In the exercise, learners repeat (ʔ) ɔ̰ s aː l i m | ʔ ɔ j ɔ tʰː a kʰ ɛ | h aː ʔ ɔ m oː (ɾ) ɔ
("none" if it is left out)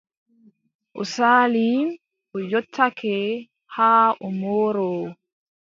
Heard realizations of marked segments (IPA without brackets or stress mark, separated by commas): ʔ, ɾ